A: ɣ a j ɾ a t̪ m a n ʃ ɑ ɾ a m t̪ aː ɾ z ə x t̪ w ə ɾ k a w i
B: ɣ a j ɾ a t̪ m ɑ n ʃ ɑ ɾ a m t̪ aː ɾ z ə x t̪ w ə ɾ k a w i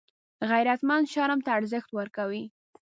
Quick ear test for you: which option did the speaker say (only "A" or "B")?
A